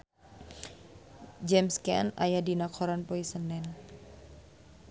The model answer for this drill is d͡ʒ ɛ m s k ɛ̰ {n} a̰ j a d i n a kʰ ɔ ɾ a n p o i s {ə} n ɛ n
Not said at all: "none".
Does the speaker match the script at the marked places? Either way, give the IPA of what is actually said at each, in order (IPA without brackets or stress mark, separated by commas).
n, ə